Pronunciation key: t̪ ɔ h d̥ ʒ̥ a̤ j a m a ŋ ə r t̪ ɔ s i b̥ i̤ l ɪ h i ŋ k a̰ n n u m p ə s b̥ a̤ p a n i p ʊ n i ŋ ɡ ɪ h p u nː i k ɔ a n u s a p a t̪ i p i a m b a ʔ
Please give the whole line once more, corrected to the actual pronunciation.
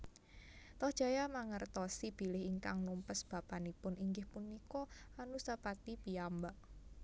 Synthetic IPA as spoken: t̪ ɔ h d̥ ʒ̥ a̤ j a m a ŋ ə r t̪ ɔ s i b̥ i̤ l ɪ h i ŋ k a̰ ŋ n u m p ə s b̥ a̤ p a n i p ʊ n i ŋ ɡ ɪ h p u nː i k ɔ a n u s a p a t̪ i p i a m b a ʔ

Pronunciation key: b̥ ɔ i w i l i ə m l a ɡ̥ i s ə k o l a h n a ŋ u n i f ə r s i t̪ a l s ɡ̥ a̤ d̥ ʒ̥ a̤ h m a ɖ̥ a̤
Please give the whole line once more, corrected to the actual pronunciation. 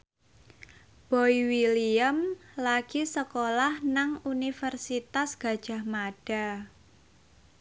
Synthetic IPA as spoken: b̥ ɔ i w i l i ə m l a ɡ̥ i s ə k o l a h n a ŋ u n i f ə r s i t̪ a s ɡ̥ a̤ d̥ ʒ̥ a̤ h m a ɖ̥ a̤

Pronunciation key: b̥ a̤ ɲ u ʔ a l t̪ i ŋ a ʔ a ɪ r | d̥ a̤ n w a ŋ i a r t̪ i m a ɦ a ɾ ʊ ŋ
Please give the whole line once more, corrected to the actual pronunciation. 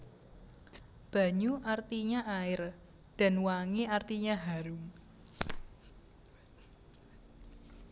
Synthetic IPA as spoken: b̥ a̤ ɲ u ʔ a r t̪ i ɲ a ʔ a ɪ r | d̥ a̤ n w a ŋ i a r t̪ i ɲ a ɦ a ɾ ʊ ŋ

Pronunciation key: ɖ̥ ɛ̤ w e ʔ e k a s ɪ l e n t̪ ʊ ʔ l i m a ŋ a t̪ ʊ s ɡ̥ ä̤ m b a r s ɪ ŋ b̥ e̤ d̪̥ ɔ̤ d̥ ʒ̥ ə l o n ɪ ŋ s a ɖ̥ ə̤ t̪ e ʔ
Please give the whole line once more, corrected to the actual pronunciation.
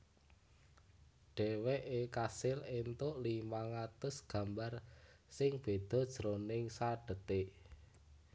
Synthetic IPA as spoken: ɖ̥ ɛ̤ w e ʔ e k a s ɪ l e n t̪ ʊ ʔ l i m a ŋ a t̪ ʊ s ɡ̥ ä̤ m b a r s ɪ ŋ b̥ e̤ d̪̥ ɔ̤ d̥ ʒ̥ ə ɾ o n ɪ ŋ s a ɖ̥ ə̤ t̪ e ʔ

